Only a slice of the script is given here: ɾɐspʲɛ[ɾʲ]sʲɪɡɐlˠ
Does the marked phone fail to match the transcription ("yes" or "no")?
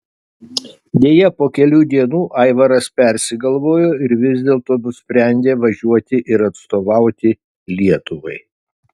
no